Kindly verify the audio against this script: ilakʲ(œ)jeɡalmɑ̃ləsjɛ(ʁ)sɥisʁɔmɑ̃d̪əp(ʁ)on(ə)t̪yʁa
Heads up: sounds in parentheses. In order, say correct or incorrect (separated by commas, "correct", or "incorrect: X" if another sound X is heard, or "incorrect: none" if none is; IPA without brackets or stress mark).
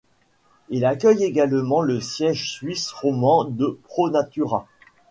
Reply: correct, incorrect: ʒ, incorrect: χ, incorrect: a